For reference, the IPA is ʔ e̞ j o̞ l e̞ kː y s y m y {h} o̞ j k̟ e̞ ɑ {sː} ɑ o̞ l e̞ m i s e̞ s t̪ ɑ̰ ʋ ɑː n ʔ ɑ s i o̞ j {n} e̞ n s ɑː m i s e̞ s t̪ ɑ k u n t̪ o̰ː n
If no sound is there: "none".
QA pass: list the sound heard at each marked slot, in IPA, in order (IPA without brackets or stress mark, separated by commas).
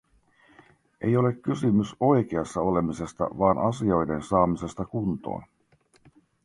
s, sː, d